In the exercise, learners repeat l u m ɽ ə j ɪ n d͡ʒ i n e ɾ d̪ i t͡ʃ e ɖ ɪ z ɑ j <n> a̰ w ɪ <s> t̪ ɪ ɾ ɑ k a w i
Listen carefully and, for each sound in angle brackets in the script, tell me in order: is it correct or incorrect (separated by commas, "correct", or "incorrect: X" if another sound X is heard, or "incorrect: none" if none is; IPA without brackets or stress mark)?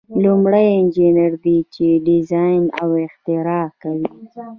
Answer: correct, incorrect: x